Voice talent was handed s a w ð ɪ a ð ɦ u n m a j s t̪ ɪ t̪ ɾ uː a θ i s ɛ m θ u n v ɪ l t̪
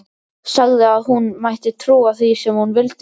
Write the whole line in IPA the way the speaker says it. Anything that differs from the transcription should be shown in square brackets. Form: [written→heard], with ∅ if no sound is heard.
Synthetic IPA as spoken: s a [w→ɣ] ð ɪ a ð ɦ u n m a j [s→h] t̪ ɪ [t̪→t̪ʰ] ɾ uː a θ i s ɛ m [θ→h] u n v ɪ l t̪